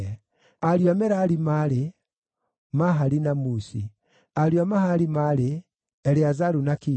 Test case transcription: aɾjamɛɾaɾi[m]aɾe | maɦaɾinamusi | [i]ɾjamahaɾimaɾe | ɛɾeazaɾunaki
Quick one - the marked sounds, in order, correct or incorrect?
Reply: correct, incorrect: a

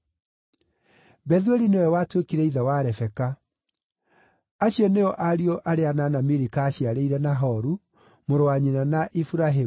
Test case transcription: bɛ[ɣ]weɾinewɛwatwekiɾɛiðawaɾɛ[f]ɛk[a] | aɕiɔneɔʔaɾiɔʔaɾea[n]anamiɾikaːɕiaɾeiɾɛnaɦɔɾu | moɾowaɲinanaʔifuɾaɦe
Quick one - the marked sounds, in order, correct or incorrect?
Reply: incorrect: ð, correct, correct, correct

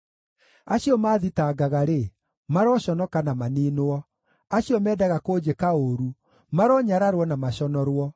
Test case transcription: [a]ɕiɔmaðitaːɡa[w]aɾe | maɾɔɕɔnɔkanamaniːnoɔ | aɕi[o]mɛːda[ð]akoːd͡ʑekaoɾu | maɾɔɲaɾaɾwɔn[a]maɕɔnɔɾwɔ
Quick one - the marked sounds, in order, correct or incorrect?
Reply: correct, incorrect: ɣ, incorrect: ɔ, incorrect: ɣ, correct

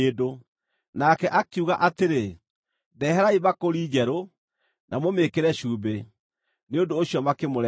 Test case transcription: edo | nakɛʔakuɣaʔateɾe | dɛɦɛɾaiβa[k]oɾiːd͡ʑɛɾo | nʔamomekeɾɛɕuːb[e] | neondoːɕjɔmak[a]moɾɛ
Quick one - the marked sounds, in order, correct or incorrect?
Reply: correct, correct, incorrect: e

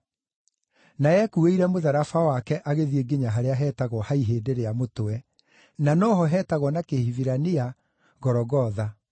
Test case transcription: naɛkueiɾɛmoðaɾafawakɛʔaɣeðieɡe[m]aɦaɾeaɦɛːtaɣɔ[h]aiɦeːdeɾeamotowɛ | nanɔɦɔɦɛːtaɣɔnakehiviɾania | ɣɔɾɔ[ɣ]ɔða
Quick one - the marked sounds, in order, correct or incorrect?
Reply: incorrect: ɲ, correct, correct

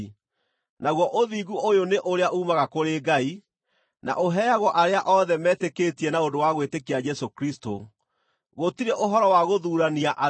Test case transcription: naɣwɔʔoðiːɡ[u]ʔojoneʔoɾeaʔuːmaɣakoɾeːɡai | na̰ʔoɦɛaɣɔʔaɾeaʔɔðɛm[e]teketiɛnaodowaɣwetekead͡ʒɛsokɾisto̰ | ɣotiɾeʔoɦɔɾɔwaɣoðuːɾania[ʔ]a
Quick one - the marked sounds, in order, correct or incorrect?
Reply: correct, incorrect: ɛ, correct

